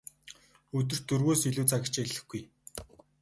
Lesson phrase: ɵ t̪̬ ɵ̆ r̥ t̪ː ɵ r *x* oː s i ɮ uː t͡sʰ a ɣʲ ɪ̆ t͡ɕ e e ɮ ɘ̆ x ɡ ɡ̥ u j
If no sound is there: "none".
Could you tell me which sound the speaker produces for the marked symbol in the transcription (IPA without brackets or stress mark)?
ɣ